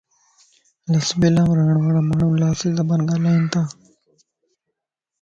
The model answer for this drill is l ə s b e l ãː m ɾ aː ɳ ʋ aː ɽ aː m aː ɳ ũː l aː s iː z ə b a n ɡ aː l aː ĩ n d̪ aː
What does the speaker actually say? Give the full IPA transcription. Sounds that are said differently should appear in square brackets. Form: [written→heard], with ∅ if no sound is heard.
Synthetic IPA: l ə s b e l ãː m ɾ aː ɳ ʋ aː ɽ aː m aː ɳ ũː l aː s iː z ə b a n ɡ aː l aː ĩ n [d̪→t̪] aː